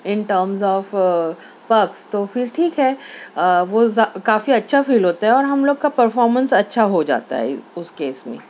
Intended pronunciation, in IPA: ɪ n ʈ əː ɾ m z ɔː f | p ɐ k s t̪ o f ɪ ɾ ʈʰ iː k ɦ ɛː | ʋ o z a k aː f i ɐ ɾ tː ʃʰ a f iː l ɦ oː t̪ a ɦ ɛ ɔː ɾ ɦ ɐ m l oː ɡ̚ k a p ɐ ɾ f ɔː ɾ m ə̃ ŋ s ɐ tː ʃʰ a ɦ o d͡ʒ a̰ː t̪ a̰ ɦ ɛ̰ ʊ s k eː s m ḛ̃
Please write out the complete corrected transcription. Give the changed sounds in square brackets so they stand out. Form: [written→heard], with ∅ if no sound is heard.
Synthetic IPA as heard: ɪ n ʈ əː ɾ m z ɔː f | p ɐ k s t̪ o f ɪ ɾ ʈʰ iː k ɦ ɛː | ʋ o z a k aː f i ɐ [ɾ→∅] tː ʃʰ a f iː l ɦ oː t̪ a ɦ ɛ ɔː ɾ ɦ ɐ m l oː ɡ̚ k a p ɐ ɾ f ɔː ɾ m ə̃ [ŋ→n] s ɐ tː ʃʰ a ɦ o d͡ʒ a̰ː t̪ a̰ ɦ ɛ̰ ʊ s k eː s m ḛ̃